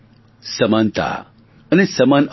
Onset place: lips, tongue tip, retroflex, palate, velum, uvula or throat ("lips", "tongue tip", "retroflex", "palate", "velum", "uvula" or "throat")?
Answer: tongue tip